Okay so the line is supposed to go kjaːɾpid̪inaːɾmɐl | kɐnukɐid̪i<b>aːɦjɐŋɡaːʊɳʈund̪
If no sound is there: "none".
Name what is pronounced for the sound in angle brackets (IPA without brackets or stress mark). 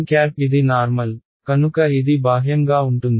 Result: b